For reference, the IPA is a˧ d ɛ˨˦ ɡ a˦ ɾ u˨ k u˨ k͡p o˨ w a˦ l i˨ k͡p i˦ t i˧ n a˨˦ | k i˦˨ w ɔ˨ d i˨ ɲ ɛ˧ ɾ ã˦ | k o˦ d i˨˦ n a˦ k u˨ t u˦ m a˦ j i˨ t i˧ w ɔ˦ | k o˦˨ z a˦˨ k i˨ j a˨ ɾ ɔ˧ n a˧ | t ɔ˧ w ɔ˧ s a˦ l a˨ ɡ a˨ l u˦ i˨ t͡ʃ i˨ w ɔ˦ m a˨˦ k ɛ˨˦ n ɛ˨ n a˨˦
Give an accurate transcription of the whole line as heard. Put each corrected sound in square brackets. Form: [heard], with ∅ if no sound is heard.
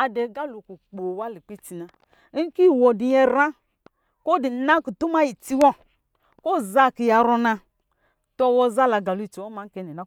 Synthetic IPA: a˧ d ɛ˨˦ ɡ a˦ [l] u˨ k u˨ k͡p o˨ w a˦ l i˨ k͡p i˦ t i˧ n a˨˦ | k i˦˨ w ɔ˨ d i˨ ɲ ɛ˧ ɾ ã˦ | k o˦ d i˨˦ n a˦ k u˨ t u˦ m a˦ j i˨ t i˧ w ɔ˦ | k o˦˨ z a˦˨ k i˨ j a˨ ɾ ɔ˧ n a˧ | t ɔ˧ w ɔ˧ [z] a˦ l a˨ ɡ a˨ l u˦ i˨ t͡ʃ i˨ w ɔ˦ m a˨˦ k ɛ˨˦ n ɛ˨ n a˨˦

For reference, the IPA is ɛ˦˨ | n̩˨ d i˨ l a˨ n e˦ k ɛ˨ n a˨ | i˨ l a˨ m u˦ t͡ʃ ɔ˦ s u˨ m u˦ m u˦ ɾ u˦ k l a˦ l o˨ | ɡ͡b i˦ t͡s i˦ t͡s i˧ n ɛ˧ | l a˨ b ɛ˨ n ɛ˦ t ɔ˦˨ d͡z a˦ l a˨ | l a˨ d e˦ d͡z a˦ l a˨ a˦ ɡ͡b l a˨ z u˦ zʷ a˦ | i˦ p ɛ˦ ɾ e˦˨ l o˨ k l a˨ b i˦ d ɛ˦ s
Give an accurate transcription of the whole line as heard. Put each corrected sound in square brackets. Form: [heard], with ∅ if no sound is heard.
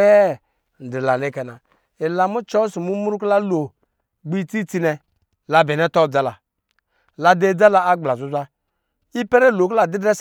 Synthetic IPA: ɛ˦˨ | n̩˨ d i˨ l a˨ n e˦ k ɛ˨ n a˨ | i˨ l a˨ m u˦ t͡ʃ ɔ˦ s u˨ m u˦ m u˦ ɾ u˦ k l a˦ l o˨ | ɡ͡b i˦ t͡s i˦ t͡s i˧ n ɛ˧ | l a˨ b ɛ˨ n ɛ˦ t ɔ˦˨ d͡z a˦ l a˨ | l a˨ d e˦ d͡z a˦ l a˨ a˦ ɡ͡b l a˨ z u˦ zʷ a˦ | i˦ p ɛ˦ ɾ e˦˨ l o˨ k l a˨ [d] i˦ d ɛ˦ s

